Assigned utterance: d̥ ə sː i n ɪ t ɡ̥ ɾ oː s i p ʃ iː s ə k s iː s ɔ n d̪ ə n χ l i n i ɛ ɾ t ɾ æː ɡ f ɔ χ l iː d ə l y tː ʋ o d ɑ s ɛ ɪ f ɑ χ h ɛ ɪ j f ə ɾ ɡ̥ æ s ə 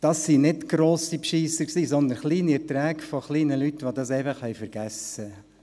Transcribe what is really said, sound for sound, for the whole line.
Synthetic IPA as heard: d̥ ɑ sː i n ɪ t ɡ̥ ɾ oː s i p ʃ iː s ə k s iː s ɔ n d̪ ə n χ l iː n i ɛ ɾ t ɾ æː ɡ f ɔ χ l iː n ə l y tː ʋ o d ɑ s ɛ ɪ f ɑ χ h ɛ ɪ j f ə ɾ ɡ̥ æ s ə